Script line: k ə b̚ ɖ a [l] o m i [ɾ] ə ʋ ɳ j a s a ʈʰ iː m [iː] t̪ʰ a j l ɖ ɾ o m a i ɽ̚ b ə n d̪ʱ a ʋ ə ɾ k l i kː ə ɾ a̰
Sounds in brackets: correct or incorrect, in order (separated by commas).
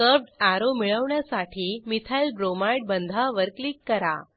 incorrect, incorrect, incorrect